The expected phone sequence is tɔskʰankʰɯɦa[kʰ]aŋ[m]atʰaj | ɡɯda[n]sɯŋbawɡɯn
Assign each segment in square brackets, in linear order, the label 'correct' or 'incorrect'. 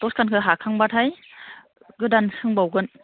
correct, incorrect, correct

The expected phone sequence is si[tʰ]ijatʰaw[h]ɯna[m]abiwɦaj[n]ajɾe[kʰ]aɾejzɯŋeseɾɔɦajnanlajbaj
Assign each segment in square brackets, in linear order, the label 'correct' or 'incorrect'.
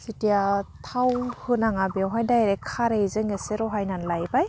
incorrect, correct, incorrect, incorrect, correct

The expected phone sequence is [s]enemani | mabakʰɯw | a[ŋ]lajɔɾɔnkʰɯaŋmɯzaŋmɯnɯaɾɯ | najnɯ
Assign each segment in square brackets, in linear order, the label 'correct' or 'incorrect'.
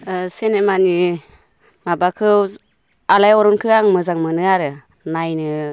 correct, incorrect

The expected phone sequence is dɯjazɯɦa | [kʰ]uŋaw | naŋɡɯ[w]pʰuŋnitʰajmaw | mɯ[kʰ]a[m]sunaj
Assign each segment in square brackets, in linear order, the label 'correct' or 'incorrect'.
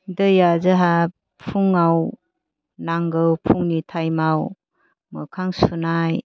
incorrect, correct, correct, incorrect

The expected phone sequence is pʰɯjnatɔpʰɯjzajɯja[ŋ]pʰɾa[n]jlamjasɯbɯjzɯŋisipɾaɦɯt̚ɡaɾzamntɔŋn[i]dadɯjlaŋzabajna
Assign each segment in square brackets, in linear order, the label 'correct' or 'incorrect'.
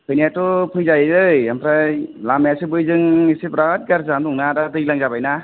incorrect, incorrect, incorrect

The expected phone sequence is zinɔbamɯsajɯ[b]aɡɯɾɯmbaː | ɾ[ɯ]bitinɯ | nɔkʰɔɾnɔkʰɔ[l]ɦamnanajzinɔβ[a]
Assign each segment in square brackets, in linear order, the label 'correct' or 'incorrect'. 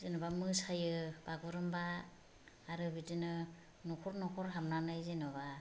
correct, correct, incorrect, correct

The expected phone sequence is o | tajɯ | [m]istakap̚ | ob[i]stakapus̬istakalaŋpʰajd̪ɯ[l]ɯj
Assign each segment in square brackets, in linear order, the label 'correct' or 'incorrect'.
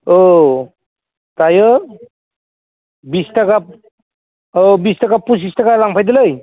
incorrect, correct, correct

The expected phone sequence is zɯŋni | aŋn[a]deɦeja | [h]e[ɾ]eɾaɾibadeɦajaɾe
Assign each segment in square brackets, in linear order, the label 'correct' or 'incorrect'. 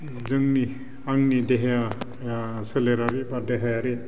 incorrect, incorrect, incorrect

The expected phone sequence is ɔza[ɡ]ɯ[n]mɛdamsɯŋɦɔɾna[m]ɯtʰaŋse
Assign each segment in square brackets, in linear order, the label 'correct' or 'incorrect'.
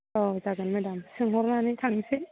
correct, correct, incorrect

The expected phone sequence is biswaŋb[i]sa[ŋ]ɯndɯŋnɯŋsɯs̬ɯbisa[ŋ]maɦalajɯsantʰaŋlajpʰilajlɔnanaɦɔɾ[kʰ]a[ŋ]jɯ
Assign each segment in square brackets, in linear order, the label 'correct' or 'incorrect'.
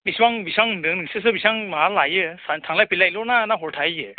correct, correct, correct, incorrect, incorrect

